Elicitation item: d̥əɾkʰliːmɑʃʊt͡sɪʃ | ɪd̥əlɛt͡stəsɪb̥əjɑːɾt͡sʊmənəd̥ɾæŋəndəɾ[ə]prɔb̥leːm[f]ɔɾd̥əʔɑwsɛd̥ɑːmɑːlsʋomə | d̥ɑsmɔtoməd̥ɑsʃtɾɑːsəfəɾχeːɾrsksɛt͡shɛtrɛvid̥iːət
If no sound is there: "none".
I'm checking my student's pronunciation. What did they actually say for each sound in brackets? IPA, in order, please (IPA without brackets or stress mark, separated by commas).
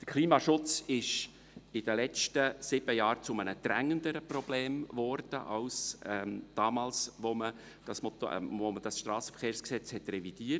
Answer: ə, v